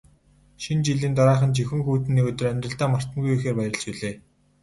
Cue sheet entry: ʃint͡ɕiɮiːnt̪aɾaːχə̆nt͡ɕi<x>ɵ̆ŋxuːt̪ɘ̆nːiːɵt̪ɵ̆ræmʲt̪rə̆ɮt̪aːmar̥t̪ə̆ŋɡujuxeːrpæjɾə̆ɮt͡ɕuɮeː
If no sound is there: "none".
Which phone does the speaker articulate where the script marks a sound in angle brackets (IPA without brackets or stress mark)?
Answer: x